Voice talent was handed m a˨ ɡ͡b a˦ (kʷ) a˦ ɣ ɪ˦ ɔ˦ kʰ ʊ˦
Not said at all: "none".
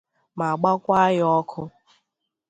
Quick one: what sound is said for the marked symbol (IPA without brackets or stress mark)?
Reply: kʷ